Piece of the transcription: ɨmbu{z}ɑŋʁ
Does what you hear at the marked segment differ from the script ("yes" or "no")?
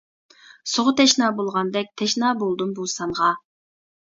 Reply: yes